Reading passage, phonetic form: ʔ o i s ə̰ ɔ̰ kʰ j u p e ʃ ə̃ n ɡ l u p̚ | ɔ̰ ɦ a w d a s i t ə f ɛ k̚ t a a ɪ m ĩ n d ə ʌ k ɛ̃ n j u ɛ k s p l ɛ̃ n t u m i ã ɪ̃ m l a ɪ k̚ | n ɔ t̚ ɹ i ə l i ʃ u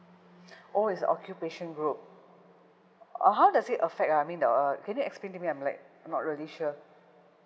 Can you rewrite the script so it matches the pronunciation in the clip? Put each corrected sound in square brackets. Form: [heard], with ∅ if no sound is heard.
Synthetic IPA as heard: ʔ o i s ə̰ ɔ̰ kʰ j u p e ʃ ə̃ n ɡ [ɹ] u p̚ | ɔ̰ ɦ a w d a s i t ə f ɛ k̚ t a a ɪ m ĩ n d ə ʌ k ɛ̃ n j u ɛ k s p l [ẽ] n t u m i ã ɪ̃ m l a ɪ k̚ | n ɔ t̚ ɹ i ə l i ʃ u